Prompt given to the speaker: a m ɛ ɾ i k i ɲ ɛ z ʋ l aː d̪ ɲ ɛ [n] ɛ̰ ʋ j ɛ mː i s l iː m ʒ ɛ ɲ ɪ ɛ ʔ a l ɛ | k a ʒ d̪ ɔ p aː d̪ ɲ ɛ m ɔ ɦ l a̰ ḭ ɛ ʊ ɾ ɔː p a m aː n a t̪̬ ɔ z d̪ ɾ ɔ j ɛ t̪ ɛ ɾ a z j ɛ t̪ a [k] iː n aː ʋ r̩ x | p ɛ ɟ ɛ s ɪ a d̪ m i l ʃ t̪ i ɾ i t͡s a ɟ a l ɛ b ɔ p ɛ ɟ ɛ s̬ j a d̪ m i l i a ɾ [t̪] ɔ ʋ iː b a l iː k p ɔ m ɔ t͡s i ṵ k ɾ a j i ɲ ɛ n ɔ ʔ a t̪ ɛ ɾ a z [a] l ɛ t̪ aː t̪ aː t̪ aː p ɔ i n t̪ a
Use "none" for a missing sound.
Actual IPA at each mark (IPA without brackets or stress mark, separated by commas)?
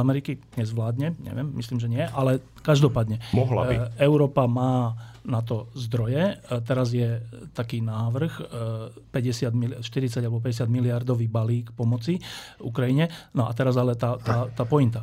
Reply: ɲ, k, d̪, a